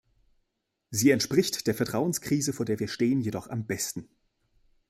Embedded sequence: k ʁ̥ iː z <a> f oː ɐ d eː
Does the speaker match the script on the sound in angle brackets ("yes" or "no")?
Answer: no